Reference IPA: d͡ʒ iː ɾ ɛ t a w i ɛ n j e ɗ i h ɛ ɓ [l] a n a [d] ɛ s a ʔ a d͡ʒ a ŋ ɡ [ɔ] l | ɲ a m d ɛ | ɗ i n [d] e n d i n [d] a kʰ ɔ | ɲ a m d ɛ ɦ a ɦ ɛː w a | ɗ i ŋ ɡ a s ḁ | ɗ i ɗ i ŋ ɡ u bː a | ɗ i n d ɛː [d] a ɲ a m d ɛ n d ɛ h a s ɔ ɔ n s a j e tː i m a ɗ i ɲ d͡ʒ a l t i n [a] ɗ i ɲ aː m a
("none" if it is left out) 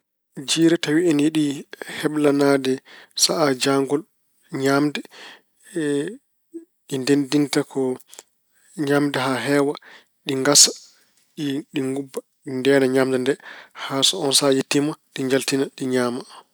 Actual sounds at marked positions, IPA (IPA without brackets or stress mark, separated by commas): l, d, ɔ, d, t, n, a